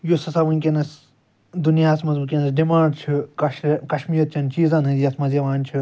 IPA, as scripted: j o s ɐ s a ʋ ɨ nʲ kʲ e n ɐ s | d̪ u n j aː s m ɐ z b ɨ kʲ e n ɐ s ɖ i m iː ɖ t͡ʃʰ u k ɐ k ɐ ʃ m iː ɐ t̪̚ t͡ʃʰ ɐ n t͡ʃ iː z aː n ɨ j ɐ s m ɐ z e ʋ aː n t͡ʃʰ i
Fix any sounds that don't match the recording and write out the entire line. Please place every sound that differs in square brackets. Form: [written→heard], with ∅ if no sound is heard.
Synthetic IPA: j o s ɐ s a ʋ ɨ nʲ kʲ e n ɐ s | d̪ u n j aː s m ɐ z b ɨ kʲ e n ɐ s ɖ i m [iː→aː] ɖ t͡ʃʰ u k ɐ k ɐ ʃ m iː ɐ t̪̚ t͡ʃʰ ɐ n t͡ʃ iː z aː n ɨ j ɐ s m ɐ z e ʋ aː n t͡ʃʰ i